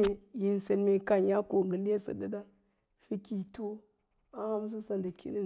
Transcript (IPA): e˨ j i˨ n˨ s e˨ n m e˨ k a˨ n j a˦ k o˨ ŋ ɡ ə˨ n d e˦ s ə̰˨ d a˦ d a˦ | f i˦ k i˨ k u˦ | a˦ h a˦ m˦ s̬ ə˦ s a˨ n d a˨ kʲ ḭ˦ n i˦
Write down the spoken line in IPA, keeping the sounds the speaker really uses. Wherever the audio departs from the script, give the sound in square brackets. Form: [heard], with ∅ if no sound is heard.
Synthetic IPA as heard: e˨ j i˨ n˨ s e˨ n m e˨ k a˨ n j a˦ k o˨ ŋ ɡ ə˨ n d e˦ s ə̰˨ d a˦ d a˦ | f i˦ k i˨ [t] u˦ | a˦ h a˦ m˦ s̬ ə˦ s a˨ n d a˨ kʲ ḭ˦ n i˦